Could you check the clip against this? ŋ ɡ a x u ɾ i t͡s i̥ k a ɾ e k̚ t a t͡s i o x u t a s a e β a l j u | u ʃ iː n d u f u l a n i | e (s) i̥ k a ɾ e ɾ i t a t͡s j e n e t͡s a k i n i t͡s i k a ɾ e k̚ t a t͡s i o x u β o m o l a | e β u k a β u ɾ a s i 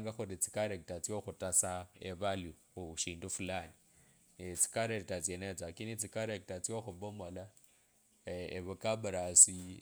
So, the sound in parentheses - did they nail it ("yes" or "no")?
no